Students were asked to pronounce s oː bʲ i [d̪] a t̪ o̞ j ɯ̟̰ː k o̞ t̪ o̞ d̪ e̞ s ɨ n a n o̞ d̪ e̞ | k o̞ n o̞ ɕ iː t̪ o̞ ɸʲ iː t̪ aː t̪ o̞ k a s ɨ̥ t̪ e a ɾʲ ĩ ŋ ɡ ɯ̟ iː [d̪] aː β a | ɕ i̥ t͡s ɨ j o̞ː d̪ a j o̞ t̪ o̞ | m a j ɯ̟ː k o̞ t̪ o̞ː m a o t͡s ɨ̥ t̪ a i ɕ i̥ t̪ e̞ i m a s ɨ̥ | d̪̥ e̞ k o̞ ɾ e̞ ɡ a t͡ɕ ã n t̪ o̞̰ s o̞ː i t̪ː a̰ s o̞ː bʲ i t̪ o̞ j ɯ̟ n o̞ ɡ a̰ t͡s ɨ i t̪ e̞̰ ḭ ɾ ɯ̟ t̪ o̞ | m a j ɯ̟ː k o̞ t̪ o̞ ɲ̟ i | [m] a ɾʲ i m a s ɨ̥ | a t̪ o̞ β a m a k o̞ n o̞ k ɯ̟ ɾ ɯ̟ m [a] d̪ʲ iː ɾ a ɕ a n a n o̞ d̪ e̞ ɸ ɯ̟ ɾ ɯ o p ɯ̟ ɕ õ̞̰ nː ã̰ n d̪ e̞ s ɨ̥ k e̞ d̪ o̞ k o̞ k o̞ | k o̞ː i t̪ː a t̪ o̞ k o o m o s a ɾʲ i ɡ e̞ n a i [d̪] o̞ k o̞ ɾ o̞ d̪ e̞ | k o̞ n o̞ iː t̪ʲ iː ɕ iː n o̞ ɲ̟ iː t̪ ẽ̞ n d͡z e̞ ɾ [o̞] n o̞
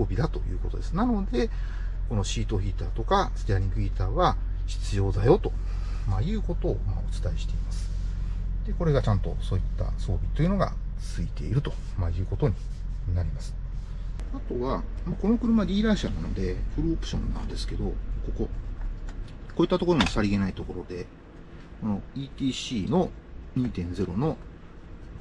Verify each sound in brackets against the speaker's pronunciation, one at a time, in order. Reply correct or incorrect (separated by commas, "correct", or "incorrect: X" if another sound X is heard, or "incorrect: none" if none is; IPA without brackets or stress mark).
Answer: correct, incorrect: t̪, incorrect: n, correct, incorrect: t̪, correct